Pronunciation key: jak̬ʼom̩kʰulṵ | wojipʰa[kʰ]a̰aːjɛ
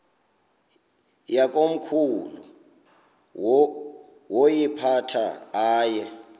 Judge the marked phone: incorrect: tʰ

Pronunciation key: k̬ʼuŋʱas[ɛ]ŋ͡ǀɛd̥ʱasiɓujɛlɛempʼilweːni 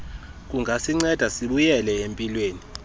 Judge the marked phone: incorrect: i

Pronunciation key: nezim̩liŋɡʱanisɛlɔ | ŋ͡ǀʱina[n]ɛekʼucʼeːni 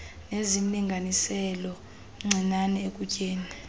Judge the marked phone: correct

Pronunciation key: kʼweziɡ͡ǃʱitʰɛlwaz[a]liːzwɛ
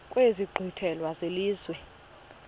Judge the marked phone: incorrect: e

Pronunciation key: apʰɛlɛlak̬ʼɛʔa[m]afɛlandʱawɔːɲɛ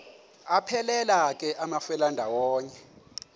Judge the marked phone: correct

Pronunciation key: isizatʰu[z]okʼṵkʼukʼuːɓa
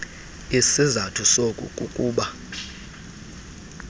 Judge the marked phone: incorrect: s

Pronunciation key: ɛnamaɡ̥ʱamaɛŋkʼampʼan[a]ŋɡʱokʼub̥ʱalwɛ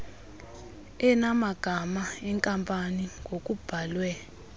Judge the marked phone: incorrect: i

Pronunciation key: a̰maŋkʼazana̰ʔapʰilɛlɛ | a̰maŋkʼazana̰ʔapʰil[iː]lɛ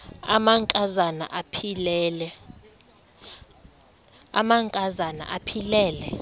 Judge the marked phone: incorrect: ɛː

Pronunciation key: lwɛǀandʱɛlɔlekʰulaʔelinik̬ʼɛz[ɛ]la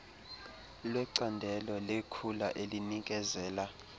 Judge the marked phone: incorrect: ɛː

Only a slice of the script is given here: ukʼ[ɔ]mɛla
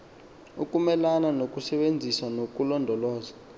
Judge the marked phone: incorrect: u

